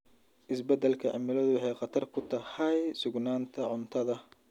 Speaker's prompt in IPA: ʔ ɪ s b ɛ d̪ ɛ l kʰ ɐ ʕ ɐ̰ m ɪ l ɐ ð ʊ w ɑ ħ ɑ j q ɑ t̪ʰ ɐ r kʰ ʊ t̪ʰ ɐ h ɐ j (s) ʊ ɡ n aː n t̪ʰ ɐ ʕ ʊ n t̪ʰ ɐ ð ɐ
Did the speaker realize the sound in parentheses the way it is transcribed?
yes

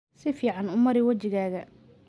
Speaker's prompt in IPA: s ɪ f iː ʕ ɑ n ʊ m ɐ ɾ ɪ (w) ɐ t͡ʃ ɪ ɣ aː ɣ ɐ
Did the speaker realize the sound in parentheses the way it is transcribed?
yes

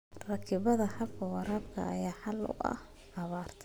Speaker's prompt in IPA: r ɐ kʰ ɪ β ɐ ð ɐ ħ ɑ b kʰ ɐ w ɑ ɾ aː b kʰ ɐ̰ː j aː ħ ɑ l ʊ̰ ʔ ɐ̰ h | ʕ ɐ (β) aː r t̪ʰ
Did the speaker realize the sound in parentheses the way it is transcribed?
yes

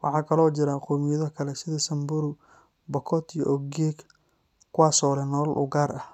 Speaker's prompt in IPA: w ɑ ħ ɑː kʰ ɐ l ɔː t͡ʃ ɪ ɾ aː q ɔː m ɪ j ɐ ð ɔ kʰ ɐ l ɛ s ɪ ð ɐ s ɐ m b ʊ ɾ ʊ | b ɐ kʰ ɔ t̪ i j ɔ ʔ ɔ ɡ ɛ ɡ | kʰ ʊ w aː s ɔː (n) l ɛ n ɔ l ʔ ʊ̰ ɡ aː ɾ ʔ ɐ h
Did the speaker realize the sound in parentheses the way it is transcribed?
no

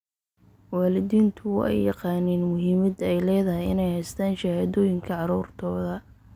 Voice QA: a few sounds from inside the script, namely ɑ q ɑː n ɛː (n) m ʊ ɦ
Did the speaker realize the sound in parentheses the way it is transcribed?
yes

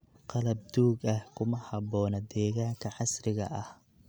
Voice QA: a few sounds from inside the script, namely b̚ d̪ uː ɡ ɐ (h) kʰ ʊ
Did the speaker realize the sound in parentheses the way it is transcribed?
yes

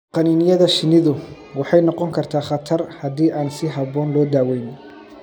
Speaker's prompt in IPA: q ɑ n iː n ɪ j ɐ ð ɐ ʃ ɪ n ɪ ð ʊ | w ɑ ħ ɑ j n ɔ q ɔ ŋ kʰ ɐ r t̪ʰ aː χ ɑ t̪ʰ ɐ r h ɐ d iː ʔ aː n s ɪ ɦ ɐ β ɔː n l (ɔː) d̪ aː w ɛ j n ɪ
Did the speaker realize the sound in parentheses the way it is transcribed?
yes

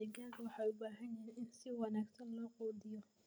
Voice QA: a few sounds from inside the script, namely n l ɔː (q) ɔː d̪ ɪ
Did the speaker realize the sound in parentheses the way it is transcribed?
yes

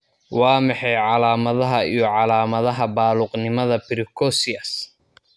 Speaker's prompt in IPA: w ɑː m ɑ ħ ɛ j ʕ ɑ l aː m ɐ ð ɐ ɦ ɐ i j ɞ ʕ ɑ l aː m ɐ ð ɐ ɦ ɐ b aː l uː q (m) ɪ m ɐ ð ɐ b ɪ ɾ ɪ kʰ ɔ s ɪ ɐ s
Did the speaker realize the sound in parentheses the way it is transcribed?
no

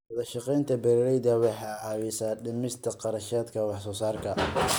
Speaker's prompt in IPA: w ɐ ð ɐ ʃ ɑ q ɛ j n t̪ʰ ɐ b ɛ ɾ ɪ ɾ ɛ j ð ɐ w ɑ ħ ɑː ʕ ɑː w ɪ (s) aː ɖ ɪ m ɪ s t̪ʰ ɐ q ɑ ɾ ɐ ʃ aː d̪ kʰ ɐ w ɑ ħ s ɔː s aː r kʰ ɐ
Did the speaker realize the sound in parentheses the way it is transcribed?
yes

